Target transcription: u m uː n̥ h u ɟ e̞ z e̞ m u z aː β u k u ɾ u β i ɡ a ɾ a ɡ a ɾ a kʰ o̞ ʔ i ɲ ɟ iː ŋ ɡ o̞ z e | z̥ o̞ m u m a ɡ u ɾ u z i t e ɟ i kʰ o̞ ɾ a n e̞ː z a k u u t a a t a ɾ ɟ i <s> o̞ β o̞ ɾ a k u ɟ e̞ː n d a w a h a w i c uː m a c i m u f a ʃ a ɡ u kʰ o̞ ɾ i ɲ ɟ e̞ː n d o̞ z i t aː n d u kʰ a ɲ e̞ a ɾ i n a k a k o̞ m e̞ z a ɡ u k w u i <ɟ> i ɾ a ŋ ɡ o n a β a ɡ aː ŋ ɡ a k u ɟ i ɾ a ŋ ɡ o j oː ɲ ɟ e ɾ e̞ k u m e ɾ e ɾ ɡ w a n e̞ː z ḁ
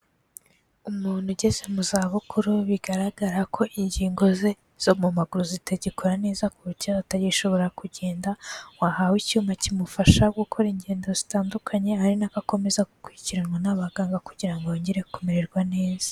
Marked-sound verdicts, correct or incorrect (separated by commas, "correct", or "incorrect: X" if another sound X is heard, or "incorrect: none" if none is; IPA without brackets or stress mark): incorrect: ʃ, incorrect: c